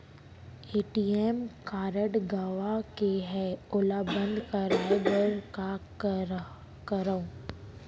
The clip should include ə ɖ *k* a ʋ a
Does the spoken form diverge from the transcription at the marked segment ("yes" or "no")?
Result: yes